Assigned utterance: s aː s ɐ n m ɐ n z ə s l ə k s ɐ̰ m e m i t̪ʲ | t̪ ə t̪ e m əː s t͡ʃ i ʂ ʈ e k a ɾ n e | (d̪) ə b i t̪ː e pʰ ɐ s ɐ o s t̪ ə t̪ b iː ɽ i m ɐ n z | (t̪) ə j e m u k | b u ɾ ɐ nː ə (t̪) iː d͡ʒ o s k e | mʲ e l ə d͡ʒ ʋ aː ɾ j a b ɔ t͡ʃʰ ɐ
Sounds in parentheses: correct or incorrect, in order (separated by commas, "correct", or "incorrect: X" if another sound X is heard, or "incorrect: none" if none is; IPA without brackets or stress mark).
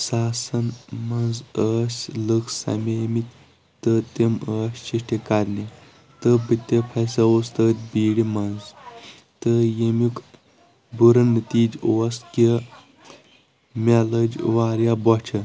incorrect: t̪, correct, correct